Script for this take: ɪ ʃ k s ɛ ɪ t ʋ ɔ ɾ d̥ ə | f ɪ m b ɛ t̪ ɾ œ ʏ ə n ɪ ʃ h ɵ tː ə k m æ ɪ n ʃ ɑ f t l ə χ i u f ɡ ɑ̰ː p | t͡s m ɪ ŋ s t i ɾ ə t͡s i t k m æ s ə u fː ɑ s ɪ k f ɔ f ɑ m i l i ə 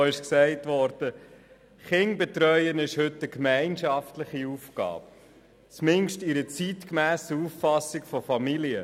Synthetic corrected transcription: ɪ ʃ k s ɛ ɪ t ʋ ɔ ɾ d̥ ə | χ ɪ ŋ b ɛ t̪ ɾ œ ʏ ə n ɪ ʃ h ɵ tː ə k m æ ɪ n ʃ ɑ f t l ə χ i u f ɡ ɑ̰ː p | t͡s m ɪ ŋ ʃ t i ɾ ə t͡s i t k m æː s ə u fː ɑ s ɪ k f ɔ f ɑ m i l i ə

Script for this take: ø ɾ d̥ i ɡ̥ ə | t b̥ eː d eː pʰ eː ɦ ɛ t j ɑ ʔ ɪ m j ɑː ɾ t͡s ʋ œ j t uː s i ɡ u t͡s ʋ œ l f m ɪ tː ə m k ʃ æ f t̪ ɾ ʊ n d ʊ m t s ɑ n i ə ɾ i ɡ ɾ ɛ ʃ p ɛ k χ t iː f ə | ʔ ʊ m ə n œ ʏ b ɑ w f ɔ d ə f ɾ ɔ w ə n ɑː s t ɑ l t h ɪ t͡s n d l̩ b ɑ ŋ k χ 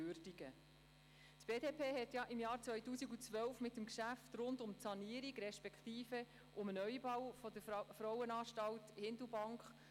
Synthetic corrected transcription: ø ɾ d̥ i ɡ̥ ə | t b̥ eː d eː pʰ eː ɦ ɛ t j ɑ ʔ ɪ m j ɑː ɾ t͡s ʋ œ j t uː s i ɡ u t͡s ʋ œ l f m ɪ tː ə m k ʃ æ f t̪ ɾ ʊ n d ʊ m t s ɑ n i ə ɾ i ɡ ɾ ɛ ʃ p ɛ k χ t iː f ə | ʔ ʊ m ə n œ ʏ b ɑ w f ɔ d ə f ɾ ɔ w ə n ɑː ʃ t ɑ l t h ɪ n d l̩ b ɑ ŋ k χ

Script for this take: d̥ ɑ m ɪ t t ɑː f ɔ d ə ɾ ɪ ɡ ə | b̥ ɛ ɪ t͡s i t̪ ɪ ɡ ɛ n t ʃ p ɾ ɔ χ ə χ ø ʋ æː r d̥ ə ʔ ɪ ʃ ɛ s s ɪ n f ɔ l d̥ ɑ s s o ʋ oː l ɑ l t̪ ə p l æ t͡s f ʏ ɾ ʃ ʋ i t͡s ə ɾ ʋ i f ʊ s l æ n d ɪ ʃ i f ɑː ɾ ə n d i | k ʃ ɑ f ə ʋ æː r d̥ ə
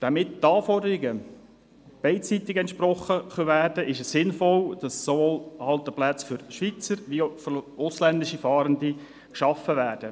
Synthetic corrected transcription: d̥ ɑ m ɪ t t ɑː f ɔ d ə ɾ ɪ ɡ ə | b̥ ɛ ɪ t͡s i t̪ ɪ ɡ ɛ n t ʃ p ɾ ɔ χ ə χ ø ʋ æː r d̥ ə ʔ ɪ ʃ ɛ s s ɪ n f ɔ l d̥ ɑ s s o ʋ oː l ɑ l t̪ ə p l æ t͡s f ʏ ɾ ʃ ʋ i t͡s ə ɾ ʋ i f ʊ s l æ n d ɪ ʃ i f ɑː ɾ ə n d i | k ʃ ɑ f ə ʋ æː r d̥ ə

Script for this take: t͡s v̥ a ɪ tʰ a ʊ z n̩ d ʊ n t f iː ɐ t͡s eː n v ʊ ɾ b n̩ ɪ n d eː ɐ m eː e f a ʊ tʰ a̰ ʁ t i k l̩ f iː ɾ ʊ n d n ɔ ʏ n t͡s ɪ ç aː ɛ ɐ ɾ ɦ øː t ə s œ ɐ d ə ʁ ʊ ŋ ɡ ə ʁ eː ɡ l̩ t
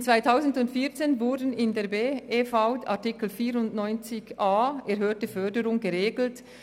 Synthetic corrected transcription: t͡s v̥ a ɪ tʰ a ʊ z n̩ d ʊ n t f iː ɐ t͡s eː n v ʊ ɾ d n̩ ɪ n d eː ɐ b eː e f a ʊ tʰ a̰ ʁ t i k l̩ f iː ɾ ʊ n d n ɔ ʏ n t͡s ɪ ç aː ɛ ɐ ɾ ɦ øː t ə f œ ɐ d ə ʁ ʊ ŋ ɡ ə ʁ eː ɡ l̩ t

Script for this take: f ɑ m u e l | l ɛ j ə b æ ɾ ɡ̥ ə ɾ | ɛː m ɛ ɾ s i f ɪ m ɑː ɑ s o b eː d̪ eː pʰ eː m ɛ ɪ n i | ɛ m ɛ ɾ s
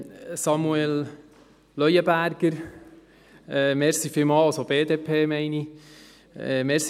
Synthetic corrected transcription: s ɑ m u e l | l œ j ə b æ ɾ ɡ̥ ə ɾ | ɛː m ɛ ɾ s i f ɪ m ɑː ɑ s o b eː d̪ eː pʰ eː m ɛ ɪ n i | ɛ m ɛ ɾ s

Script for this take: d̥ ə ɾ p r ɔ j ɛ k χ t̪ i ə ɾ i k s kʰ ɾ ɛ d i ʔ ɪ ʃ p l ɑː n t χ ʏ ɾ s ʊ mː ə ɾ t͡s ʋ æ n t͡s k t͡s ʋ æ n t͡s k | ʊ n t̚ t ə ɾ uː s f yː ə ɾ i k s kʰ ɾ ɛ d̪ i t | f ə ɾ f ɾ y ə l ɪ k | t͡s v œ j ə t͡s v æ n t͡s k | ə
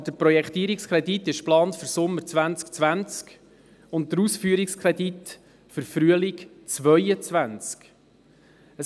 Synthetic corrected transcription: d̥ ə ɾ p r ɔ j ɛ k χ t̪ i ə ɾ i k s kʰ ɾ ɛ d i t ɪ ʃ p l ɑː n t f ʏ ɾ s ʊ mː ə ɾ t͡s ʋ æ n t͡s k t͡s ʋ æ n t͡s k | ʊ n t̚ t ə ɾ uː s f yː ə ɾ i k s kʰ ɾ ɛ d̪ i t | f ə ɾ f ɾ y ə l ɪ k | t͡s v œ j ə t͡s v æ n t͡s k | ə

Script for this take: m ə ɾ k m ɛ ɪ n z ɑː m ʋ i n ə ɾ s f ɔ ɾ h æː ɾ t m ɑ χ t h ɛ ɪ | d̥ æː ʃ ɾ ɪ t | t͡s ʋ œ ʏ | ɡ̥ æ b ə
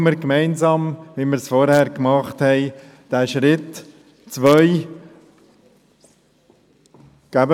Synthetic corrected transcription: m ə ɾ k m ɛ ɪ n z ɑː m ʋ i m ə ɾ s f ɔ ɾ h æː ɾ k m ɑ χ t h ɛ ɪ | d̥ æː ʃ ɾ ɪ t | t͡s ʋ œ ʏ | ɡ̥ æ b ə

